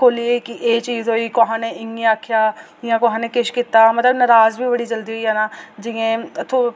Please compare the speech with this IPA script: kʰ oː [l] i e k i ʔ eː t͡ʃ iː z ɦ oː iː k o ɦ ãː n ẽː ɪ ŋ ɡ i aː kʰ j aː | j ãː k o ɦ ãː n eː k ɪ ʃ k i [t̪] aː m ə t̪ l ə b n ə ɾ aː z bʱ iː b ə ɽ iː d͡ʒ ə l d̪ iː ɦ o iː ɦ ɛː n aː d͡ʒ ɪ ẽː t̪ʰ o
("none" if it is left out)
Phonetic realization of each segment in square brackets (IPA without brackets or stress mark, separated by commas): l, t̪